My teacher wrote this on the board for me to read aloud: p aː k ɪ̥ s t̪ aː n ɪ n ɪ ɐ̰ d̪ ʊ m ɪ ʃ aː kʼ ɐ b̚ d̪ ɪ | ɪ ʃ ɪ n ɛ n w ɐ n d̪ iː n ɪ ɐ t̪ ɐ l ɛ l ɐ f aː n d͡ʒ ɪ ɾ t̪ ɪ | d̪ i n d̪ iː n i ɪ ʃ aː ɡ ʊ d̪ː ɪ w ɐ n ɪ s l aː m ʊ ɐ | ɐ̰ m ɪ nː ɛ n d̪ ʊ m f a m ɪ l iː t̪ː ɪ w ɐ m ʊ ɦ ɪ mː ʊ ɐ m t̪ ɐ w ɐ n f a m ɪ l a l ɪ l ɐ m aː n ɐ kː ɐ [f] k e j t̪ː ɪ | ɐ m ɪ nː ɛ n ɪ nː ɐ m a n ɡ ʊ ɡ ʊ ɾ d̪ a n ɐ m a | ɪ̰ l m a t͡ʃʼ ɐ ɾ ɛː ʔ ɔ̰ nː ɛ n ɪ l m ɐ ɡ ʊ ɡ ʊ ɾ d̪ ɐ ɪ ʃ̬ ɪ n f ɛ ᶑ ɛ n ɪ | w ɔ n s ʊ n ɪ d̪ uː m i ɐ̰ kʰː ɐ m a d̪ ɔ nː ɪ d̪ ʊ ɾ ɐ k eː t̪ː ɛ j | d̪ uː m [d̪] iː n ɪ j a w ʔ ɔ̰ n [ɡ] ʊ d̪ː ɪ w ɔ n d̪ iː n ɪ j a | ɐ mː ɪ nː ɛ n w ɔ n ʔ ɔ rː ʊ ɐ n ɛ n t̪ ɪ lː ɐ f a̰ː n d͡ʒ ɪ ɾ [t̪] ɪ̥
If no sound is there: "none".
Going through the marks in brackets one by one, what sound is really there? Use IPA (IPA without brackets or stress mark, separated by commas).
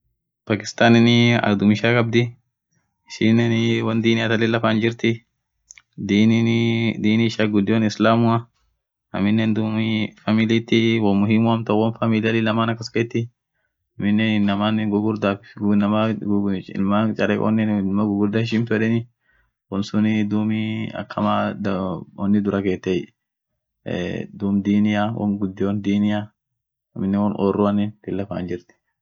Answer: s, d̪, ɡ, t̪